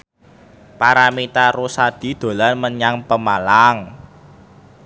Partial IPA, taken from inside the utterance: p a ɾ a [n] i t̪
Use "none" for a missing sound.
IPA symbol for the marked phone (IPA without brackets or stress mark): m